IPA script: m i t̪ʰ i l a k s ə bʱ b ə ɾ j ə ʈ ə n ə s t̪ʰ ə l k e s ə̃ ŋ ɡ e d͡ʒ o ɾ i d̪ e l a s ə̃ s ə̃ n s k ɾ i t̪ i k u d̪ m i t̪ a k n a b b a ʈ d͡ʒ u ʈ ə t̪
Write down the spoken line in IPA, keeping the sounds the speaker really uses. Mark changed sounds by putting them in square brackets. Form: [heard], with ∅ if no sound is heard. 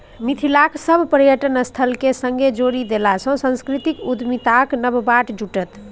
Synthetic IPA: m i t̪ʰ i l a k s ə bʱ [p] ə ɾ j ə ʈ ə n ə s t̪ʰ ə l k e s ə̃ ŋ ɡ e d͡ʒ o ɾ i d̪ e l a s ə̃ s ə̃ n s k ɾ i t̪ i k u d̪ m i t̪ a k n [ə] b b a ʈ d͡ʒ u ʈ ə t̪